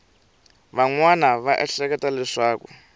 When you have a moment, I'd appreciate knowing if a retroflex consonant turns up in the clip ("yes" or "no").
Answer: yes